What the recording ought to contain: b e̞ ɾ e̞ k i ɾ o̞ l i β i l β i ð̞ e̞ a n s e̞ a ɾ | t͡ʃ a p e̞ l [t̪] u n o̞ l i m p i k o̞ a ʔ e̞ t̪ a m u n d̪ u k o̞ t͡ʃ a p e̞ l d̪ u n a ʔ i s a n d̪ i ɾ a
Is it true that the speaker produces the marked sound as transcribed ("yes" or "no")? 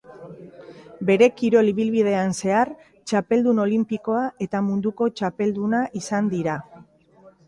no